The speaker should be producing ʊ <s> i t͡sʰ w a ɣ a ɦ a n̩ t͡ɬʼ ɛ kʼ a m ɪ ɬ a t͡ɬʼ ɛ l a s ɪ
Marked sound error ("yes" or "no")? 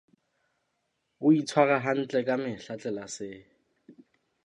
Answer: yes